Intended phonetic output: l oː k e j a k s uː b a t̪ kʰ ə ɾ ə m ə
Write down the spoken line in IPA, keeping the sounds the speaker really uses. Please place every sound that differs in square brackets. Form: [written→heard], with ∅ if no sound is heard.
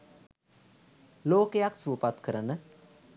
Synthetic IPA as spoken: l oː k e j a k s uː [b→p] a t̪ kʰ ə ɾ ə [m→n] ə